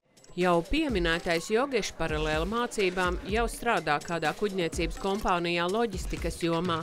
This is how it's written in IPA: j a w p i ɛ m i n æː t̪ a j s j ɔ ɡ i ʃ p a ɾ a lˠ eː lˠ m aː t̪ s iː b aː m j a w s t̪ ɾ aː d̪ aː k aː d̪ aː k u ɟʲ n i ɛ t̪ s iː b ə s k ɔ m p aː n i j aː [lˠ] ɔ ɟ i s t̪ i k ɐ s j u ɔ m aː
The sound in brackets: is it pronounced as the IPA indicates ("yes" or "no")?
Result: yes